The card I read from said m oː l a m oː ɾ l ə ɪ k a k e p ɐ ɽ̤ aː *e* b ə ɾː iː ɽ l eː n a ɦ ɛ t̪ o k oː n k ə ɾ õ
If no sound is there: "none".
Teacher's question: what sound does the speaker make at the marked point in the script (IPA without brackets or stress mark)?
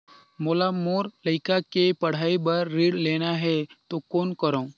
i